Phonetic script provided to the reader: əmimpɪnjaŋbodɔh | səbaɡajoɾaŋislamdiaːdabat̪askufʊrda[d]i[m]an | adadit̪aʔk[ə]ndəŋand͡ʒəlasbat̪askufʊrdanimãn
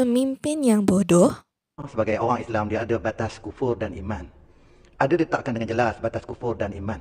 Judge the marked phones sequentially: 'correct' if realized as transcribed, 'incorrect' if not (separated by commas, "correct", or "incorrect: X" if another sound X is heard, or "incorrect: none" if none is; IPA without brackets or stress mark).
incorrect: n, correct, incorrect: a